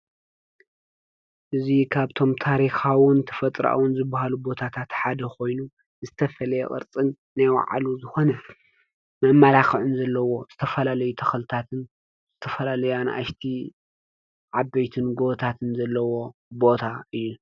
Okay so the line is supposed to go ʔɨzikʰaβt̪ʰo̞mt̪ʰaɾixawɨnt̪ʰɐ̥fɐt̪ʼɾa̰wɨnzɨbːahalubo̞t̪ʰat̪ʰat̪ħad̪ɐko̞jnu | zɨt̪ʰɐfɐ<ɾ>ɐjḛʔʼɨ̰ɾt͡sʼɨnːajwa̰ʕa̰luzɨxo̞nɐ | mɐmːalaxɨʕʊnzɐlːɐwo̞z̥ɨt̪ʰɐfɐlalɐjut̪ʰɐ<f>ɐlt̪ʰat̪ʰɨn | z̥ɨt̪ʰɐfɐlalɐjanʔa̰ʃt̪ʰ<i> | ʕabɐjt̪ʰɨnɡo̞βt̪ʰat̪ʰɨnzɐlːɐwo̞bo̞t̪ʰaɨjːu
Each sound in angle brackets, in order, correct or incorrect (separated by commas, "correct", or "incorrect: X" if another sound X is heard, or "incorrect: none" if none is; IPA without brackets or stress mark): incorrect: l, incorrect: x, correct